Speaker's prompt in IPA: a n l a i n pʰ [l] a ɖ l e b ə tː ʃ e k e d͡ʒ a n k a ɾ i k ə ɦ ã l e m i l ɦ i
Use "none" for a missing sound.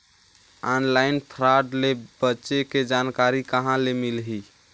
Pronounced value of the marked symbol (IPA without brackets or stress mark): ɾ